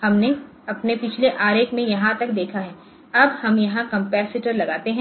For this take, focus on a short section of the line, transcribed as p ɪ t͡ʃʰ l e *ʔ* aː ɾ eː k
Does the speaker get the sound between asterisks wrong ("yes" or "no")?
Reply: no